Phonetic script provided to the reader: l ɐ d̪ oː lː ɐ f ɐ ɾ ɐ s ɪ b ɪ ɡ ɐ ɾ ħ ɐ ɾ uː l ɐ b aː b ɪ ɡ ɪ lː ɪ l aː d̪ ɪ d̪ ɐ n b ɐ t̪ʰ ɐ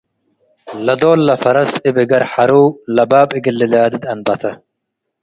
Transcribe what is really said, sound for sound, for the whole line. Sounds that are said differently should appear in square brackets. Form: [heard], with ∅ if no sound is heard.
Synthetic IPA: l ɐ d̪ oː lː ɐ f ɐ ɾ ɐ s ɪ b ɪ ɡ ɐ ɾ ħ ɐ ɾ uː l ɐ b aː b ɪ ɡ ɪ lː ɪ l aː d̪ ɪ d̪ ɐ n b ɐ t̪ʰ ɐ

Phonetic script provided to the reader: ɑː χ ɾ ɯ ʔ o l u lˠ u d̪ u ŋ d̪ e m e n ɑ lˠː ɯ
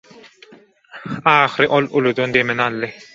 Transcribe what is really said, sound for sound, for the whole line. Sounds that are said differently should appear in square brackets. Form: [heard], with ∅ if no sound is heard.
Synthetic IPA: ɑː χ ɾ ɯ ʔ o l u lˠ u d̪ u [n] d̪ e m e n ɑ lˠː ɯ

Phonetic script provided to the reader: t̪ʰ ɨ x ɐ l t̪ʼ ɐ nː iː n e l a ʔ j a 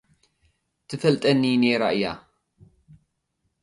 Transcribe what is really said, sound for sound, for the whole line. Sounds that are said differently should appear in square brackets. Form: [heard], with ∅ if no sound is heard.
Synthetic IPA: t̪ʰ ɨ [f] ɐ l t̪ʼ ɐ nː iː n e [ɾ] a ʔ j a

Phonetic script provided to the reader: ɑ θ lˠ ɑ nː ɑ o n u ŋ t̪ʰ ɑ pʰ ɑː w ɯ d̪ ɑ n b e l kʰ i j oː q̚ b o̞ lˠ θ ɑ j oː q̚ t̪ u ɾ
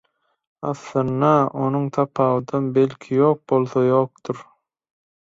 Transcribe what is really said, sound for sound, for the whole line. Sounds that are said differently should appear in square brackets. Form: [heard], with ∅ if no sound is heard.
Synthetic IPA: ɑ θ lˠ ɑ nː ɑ o n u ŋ t̪ʰ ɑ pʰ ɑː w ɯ d̪ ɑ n b e l kʰ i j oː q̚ b o̞ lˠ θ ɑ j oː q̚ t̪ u ɾ

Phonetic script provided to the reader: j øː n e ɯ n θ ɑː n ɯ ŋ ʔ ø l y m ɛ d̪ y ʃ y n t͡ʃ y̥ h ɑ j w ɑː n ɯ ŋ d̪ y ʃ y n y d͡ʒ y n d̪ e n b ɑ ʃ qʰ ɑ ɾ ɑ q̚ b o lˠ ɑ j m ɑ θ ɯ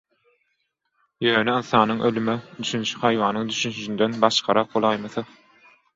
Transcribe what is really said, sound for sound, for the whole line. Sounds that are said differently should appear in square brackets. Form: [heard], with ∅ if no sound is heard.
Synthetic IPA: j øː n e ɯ n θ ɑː n ɯ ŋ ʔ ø l y m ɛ d̪ y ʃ y n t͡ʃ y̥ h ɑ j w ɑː n ɯ ŋ d̪ y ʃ y n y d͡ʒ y n d̪ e n b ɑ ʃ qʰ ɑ ɾ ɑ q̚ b o lˠ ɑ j m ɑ θ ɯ

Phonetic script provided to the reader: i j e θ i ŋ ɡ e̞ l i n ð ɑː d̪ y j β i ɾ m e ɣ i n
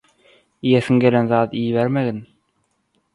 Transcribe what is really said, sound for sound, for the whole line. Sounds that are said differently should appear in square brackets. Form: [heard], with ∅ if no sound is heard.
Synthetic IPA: i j e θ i ŋ ɡ e̞ l [e] n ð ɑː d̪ [i] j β [e] ɾ m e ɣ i n

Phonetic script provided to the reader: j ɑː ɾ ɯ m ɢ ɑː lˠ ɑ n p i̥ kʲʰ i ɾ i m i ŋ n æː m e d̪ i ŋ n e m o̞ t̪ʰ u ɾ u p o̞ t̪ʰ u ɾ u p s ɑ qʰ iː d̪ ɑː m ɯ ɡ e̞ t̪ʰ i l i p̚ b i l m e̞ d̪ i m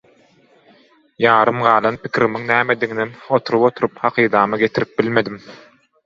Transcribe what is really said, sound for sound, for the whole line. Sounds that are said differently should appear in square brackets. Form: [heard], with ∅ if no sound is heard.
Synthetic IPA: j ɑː ɾ ɯ m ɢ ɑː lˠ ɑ n p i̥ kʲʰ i ɾ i m i ŋ n æː m e d̪ i ŋ n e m o̞ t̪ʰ u ɾ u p o̞ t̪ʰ u ɾ u p [h] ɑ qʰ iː d̪ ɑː m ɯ ɡ e̞ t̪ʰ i [ɾ] i p̚ b i l m e̞ d̪ i m

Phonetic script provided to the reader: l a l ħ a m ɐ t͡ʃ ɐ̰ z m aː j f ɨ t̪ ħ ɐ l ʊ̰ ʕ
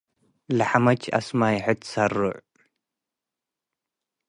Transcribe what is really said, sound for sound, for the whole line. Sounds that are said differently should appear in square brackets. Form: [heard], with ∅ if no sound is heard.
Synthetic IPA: l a [∅] ħ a m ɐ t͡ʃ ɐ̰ [s] m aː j [ħ] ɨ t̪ [s] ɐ [r] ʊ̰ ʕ

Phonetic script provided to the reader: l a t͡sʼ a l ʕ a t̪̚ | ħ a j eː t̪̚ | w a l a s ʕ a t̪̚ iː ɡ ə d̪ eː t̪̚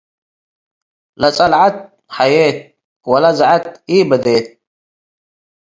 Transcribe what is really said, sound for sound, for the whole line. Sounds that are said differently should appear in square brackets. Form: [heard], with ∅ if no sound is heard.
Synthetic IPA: l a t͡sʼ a l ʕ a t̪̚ | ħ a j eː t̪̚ | w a l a [z] ʕ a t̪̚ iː [b] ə d̪ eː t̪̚

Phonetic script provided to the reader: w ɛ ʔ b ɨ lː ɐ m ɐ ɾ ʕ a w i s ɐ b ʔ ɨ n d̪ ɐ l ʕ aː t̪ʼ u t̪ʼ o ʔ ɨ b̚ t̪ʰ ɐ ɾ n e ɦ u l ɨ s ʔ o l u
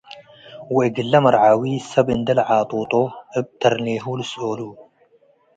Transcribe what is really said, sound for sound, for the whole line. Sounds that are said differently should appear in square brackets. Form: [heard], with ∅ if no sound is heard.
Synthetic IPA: w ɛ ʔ [ɡ] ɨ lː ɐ m ɐ ɾ ʕ a w i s ɐ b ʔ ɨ n d̪ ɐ l ʕ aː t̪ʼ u t̪ʼ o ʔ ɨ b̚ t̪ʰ ɐ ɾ n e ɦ u l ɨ s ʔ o l u

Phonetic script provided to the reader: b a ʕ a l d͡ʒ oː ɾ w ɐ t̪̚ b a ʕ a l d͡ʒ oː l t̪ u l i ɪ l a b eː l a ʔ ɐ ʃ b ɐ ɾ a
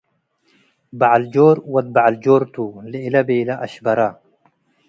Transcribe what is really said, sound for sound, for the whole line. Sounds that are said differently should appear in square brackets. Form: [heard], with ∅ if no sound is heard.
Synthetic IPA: b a ʕ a l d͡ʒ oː ɾ w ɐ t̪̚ b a ʕ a l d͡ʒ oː [ɾ] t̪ u l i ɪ l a b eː l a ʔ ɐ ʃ b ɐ ɾ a

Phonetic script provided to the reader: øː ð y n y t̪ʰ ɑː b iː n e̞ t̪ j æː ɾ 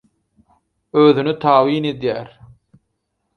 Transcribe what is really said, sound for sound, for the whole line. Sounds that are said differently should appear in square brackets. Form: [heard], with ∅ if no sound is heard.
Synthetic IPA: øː ð y n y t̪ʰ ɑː [w] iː n e̞ [d̪] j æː ɾ

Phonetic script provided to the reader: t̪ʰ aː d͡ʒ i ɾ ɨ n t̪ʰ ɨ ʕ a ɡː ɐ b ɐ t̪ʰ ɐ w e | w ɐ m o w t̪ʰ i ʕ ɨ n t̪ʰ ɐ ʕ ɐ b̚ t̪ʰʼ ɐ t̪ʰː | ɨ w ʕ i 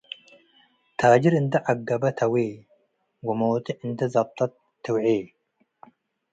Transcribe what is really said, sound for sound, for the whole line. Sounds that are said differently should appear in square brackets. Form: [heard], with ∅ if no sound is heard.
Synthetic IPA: t̪ʰ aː d͡ʒ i ɾ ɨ n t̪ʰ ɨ ʕ a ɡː ɐ b ɐ t̪ʰ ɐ w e | w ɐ m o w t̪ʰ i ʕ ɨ n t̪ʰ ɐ [z] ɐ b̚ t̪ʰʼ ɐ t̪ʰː | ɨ w ʕ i

